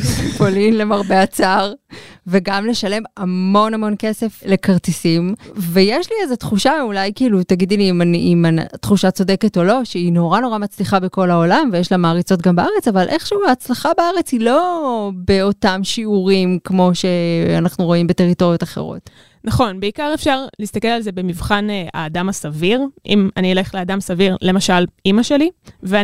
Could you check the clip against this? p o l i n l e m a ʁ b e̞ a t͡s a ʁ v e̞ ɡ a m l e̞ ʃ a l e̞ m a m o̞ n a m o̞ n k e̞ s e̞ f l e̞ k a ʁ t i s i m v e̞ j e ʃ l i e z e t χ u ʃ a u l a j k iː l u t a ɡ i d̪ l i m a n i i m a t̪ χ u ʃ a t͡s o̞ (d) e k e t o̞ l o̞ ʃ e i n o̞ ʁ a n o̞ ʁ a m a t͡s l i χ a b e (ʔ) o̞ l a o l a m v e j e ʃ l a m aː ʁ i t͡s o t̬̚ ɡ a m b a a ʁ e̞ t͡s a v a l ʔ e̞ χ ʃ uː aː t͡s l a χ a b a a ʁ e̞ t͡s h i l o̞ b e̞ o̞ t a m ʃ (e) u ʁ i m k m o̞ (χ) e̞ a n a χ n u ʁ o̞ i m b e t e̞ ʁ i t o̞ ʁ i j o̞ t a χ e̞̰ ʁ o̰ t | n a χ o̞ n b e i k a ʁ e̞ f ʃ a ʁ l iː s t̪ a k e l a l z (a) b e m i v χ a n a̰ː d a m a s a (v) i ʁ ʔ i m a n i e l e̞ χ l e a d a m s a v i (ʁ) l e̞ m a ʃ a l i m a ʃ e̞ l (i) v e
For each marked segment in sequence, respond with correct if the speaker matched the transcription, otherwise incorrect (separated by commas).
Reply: correct, incorrect, incorrect, incorrect, incorrect, correct, correct, correct